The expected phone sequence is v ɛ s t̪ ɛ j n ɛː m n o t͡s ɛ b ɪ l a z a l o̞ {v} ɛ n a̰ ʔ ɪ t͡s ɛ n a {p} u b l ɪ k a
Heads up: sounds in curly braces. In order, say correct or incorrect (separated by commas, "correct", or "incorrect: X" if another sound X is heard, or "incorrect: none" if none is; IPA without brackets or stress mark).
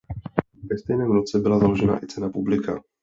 incorrect: ʒ, correct